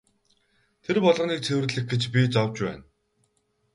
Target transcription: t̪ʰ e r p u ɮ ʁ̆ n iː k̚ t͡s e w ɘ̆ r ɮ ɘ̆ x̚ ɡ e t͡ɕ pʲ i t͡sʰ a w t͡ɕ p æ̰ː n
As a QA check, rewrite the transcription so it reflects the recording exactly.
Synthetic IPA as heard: t̪ʰ e r p ɔ ɮ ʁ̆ n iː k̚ t͡sʰ e w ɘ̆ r ɮ ɘ̆ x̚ ɡ e t͡ɕ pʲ i t͡s a w t͡ɕ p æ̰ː n